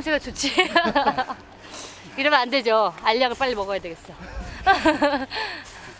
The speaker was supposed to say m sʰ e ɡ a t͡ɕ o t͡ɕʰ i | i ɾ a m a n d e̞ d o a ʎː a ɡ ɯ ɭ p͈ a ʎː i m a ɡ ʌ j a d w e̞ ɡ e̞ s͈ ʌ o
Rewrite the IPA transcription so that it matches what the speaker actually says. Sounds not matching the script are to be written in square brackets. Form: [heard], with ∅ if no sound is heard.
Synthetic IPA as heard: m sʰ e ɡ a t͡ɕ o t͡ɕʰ i | i ɾ [ʌ] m a n d e̞ [d͡ʑ] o a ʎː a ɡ ɯ ɭ p͈ a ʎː i m [ʌ] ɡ ʌ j a d w e̞ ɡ e̞ s͈ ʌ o